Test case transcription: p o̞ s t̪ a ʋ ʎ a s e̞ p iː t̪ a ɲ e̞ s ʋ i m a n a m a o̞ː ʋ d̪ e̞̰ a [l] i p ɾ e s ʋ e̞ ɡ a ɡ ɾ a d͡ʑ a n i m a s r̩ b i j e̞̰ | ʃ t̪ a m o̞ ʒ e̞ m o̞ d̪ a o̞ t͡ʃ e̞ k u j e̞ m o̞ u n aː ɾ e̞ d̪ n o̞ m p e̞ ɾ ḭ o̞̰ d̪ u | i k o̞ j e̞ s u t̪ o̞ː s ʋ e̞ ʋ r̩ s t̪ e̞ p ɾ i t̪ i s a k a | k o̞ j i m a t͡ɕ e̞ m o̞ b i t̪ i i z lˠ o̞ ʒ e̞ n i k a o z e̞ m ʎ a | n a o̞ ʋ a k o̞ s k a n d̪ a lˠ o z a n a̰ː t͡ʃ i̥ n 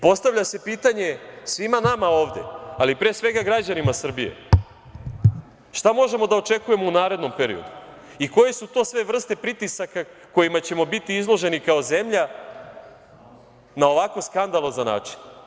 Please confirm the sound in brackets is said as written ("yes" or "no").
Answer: yes